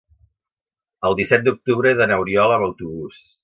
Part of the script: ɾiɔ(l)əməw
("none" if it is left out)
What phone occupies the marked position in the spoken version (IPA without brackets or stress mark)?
l